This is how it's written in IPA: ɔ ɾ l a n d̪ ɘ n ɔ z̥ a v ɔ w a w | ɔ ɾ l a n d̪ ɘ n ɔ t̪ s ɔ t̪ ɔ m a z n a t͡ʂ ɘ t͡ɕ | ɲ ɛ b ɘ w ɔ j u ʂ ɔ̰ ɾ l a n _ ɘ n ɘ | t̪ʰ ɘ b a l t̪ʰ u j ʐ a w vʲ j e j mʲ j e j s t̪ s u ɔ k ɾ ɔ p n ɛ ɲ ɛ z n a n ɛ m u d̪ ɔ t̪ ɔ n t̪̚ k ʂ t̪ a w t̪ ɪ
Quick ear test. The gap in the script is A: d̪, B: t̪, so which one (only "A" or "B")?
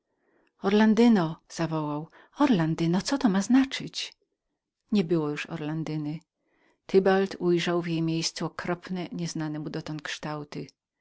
A